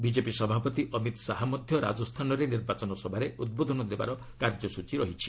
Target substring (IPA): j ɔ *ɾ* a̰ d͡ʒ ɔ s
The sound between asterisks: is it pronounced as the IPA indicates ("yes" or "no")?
yes